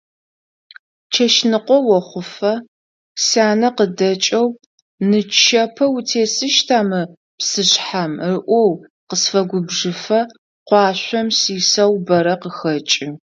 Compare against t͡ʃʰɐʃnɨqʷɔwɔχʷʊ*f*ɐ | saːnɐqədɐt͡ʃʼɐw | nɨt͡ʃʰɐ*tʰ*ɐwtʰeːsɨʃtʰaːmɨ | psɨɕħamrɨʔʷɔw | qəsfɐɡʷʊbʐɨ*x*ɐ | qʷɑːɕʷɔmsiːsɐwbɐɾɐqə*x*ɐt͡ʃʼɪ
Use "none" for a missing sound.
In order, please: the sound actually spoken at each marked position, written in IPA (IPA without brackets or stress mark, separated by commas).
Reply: f, pʰ, f, x